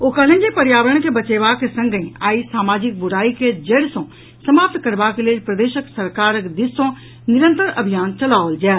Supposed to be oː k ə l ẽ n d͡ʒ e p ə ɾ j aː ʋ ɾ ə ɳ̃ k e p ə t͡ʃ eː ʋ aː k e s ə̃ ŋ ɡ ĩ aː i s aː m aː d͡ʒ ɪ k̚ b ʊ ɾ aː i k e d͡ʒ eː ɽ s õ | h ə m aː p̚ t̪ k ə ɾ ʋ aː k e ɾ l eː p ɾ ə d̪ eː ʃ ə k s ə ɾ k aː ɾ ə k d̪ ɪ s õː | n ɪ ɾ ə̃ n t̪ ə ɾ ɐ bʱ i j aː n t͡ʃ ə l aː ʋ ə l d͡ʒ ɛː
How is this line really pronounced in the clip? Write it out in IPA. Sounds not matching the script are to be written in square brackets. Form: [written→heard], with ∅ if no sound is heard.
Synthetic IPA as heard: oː k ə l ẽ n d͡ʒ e p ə ɾ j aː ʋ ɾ ə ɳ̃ k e [p→b] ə t͡ʃ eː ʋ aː k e s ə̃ ŋ ɡ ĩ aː i s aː m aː d͡ʒ ɪ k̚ b ʊ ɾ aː i k e d͡ʒ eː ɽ s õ | [h→s] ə m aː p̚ t̪ k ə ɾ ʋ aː k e [ɾ→∅] l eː p ɾ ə d̪ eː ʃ ə k s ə ɾ k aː ɾ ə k d̪ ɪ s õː | n ɪ ɾ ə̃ n t̪ ə ɾ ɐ bʱ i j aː n t͡ʃ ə l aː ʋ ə l d͡ʒ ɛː

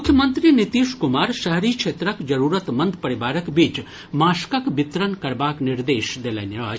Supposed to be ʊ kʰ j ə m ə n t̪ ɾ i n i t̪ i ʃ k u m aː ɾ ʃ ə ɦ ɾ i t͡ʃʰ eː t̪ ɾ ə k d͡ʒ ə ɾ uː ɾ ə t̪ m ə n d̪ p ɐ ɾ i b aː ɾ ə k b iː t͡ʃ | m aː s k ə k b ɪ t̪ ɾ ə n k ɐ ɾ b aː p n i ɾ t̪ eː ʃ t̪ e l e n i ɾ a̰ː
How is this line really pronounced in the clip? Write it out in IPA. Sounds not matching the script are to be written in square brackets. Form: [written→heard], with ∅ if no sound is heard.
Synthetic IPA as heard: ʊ kʰ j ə m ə n t̪ ɾ i n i t̪ i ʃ k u m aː ɾ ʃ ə ɦ ɾ i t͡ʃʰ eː t̪ ɾ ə k d͡ʒ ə ɾ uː ɾ ə t̪ m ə n d̪ p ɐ ɾ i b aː ɾ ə k b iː t͡ʃ | m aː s k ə k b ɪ t̪ ɾ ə n k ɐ ɾ b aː [p→k] n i ɾ [t̪→d̪] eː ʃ [t̪→d̪] e l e n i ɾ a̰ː

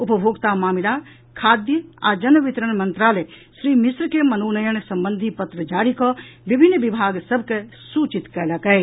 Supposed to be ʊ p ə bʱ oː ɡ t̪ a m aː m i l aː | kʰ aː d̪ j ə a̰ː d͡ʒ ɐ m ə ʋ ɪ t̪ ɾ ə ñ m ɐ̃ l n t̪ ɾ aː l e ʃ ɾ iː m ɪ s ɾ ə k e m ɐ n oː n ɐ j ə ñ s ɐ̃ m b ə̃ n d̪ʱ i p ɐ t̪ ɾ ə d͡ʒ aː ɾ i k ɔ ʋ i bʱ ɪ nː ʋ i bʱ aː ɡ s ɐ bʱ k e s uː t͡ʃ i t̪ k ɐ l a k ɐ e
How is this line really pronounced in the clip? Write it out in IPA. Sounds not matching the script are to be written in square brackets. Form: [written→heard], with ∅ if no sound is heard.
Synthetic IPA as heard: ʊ p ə bʱ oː ɡ t̪ a m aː m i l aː | kʰ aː d̪ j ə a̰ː d͡ʒ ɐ [m→n] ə ʋ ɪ t̪ ɾ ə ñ m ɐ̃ [l→∅] n t̪ ɾ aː l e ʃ ɾ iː m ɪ s ɾ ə k e m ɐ n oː n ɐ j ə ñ s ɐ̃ m b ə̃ n d̪ʱ i p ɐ t̪ ɾ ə d͡ʒ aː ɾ i k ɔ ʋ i bʱ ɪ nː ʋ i bʱ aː ɡ s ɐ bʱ k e s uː t͡ʃ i t̪ k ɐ l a k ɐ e

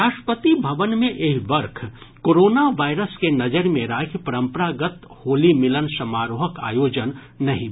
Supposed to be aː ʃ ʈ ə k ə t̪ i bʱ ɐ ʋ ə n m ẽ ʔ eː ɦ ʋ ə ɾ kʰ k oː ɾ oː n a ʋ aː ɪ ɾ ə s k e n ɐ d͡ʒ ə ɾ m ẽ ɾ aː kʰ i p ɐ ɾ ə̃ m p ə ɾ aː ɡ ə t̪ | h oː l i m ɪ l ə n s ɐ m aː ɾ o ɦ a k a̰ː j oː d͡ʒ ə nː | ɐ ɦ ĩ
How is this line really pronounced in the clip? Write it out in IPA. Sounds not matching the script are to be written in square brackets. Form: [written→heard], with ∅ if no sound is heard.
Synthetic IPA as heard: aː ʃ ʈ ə [k→p] ə t̪ i bʱ ɐ ʋ ə n m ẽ ʔ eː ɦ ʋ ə ɾ kʰ k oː ɾ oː n a ʋ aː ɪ ɾ ə s k e n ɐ d͡ʒ ə ɾ m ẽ ɾ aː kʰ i p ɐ ɾ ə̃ m p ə ɾ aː ɡ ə t̪ | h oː l i m ɪ l ə n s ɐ m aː ɾ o ɦ [a→ə] k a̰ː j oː d͡ʒ ə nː | ɐ ɦ ĩ

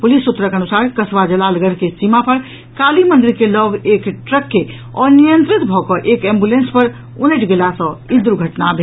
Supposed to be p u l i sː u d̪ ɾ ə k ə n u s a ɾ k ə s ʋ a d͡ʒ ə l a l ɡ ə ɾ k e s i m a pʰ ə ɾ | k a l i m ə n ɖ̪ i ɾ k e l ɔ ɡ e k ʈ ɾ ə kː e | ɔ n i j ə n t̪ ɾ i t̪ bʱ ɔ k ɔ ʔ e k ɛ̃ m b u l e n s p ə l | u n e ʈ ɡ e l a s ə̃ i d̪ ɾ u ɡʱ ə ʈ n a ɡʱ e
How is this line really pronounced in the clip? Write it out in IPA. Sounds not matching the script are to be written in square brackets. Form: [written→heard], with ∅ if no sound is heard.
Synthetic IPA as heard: p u l i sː u [d̪→t̪] ɾ ə k ə n u s a ɾ k ə s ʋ a d͡ʒ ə l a l ɡ ə ɾ k e s i m a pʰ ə ɾ | k a l i m ə n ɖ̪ i ɾ k e l ɔ ɡ e k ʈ ɾ ə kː e | ɔ n i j ə n t̪ ɾ i t̪ bʱ ɔ k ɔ ʔ e k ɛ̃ m b u l e n s p ə [l→ɾ] | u n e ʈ ɡ e l a s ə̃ i d̪ ɾ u ɡʱ ə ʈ n a [ɡʱ→bʱ] e

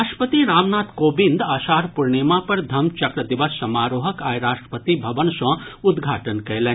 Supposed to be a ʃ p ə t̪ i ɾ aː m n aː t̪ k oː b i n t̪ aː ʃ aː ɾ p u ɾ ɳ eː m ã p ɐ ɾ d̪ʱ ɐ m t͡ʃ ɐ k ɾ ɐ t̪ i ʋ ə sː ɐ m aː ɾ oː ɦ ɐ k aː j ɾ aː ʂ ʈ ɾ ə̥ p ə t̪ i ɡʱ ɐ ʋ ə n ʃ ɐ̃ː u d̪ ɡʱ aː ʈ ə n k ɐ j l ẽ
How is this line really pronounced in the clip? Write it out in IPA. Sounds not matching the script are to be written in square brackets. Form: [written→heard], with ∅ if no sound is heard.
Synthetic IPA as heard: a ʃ p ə t̪ i ɾ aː m n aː t̪ k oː b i n [t̪→d̪] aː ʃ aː ɾ p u ɾ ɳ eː m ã p ɐ ɾ d̪ʱ ɐ m t͡ʃ ɐ k ɾ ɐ [t̪→d̪] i ʋ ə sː ɐ m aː ɾ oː ɦ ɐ k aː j ɾ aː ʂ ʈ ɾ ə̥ p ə t̪ i [ɡʱ→bʱ] ɐ ʋ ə n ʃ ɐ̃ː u d̪ ɡʱ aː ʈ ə n k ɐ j l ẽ

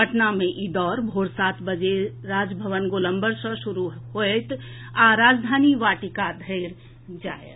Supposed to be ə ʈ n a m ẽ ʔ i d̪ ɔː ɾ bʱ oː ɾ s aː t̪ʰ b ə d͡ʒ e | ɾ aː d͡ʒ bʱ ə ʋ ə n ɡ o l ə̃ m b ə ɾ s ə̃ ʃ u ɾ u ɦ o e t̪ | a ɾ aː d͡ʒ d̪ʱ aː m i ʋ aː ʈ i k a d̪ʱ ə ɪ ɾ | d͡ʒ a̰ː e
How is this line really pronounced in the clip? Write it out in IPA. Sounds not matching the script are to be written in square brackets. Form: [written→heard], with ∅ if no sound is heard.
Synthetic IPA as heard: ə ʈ n a m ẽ ʔ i d̪ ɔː ɾ bʱ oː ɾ s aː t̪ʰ b ə d͡ʒ e | ɾ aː d͡ʒ bʱ ə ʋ ə n ɡ o l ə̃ m b ə ɾ s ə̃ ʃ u ɾ u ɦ o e t̪ | a ɾ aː d͡ʒ d̪ʱ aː [m→n] i ʋ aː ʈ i k a d̪ʱ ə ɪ ɾ | d͡ʒ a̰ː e

